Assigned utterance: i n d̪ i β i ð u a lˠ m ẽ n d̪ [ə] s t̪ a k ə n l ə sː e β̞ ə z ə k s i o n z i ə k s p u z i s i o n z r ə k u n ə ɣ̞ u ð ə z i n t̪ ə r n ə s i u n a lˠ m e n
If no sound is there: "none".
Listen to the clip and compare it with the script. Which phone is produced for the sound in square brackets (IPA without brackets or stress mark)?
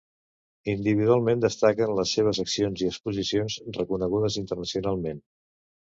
ə